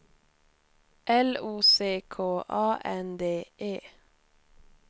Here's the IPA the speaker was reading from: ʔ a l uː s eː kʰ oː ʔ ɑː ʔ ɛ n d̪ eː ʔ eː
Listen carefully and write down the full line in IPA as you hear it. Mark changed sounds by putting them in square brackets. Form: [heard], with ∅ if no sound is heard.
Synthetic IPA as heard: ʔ [ɛ] l uː s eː kʰ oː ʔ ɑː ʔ ɛ n d̪ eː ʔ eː